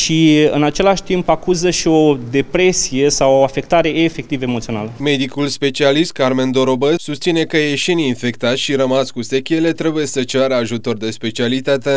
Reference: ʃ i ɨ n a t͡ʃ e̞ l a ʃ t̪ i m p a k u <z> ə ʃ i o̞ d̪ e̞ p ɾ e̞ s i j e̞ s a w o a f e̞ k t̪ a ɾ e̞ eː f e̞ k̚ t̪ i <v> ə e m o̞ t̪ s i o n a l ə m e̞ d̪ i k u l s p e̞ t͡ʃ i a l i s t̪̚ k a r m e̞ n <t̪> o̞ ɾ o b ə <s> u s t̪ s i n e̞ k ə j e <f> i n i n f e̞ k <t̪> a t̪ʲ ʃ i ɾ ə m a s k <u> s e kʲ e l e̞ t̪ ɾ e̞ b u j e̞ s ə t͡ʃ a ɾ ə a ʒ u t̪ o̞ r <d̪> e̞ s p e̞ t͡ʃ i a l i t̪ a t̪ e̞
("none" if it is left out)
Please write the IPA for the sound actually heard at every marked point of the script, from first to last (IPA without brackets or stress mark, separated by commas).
z, v, d̪, s, ʃ, t̪, u, d̪